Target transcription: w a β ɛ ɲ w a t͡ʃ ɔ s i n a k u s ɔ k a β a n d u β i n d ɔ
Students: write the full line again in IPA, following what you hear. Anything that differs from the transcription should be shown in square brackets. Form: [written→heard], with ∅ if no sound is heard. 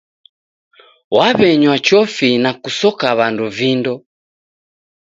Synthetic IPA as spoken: w a β ɛ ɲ w a t͡ʃ ɔ [s→f] i n a k u s ɔ k a β a n d u [β→v] i n d ɔ